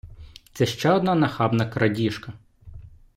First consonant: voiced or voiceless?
voiceless